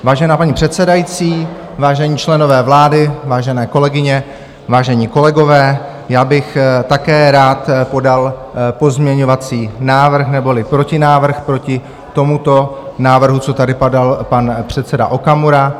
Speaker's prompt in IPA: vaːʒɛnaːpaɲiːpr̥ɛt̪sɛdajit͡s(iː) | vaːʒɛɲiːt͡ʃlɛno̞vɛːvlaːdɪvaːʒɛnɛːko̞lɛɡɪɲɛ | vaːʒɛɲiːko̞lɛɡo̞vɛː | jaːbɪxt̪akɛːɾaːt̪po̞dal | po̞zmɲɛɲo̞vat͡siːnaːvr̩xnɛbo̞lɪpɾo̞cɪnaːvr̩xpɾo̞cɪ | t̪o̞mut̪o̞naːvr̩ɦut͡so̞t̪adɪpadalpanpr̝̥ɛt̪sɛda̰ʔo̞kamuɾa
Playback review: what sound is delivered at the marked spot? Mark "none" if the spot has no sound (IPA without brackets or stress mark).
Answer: iː